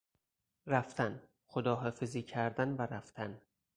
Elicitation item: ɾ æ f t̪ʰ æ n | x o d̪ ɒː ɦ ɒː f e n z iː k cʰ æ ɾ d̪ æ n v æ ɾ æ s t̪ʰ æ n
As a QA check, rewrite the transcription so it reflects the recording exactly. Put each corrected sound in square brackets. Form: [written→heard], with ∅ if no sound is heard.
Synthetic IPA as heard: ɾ æ f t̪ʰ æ n | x o d̪ ɒː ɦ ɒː f e [n→∅] z iː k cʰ æ ɾ d̪ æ n v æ ɾ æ [s→f] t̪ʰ æ n